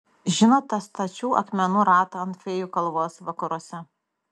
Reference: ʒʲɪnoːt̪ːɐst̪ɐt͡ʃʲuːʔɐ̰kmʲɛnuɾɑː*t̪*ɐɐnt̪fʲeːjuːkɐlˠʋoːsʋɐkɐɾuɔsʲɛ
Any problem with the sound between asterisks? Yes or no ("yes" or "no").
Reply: no